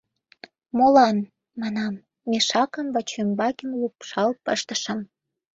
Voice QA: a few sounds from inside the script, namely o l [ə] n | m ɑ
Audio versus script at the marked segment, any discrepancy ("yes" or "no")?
yes